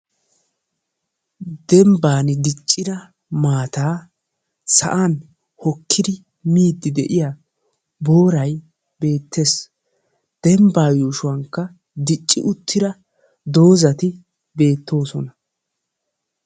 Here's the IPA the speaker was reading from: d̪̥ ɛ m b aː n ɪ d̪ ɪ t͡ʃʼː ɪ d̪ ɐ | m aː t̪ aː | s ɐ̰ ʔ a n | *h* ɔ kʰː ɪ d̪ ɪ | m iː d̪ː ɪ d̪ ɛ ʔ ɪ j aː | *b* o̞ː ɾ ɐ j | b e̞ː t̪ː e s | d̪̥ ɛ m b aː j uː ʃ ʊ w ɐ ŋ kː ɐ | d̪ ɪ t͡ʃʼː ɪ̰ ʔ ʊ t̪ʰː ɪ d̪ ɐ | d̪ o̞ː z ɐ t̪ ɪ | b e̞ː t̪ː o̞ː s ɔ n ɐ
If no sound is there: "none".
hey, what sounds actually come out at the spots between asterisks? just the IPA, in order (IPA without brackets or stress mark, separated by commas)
h, b